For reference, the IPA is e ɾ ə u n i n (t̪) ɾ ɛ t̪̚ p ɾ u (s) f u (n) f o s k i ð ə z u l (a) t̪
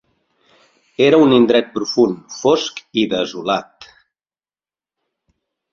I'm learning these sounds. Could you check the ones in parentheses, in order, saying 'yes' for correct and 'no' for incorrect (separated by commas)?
no, no, yes, yes